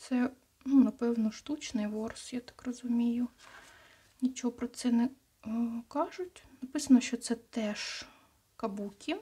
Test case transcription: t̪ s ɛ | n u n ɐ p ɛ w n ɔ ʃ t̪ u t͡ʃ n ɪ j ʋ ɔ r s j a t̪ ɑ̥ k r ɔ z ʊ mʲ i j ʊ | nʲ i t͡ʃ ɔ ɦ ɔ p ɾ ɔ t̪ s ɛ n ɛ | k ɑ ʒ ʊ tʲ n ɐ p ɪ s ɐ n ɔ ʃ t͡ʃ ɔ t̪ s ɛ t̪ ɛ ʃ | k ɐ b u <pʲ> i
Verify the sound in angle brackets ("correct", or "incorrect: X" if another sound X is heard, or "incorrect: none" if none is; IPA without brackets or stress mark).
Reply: incorrect: kʲ